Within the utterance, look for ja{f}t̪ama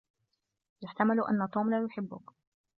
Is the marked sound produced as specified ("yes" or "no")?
no